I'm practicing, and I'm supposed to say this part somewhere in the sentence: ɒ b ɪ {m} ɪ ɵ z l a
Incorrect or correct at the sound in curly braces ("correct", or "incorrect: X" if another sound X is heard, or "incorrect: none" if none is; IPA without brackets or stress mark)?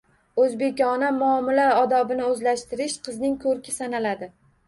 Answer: incorrect: n